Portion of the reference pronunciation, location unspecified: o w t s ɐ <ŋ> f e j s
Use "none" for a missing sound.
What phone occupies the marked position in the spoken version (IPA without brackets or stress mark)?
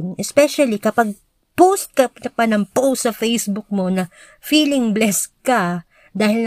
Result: none